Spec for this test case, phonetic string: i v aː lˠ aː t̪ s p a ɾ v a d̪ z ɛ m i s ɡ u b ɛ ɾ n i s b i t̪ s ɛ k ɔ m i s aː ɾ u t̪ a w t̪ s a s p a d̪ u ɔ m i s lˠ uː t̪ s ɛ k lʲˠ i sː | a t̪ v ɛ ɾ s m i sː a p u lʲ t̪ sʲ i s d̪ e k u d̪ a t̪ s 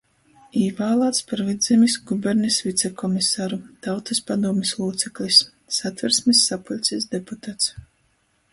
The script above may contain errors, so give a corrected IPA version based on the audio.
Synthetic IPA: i v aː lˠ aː t̪ s p a ɾ v i d̪ z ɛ m i s ɡ u b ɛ ɾ n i s v i t̪ s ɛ k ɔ m i s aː ɾ u t̪ a w t̪ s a s p a d̪ u ɔ m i s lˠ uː t̪ s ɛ k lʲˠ i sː | a t̪ v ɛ ɾ s m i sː a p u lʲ t̪ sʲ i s d̪ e p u t̪ a t̪ s

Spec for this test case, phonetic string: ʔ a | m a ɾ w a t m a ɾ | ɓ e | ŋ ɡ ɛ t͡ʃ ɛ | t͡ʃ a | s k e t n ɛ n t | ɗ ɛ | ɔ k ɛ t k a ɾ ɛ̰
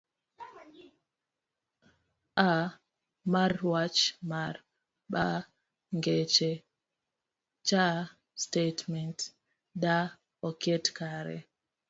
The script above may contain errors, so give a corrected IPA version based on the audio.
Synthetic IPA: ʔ a | m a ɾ w a t͡ʃ m a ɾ | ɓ a | ŋ ɡ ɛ t͡ʃ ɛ | t͡ʃ a | s t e t m ɛ n t | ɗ a | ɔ k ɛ t k a ɾ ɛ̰

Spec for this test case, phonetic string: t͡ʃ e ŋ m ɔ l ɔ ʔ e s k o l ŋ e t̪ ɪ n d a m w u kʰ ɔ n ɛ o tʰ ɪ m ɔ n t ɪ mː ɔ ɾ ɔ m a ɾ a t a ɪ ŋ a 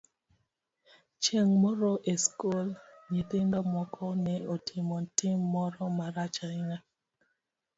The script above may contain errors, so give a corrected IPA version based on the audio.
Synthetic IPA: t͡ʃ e ŋ m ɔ ɾ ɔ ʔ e s k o l ɲ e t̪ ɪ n d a m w ɔ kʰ ɔ n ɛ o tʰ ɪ m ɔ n t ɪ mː ɔ ɾ ɔ m a ɾ a t͡ʃ a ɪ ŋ a

